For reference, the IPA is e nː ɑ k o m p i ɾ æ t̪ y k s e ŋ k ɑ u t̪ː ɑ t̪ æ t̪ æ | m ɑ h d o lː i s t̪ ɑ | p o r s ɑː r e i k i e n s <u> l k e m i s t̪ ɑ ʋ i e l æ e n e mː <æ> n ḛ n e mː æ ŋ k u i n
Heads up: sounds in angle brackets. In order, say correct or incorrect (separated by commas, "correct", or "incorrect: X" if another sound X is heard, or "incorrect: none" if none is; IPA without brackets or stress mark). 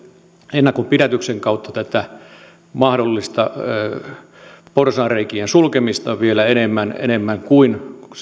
correct, correct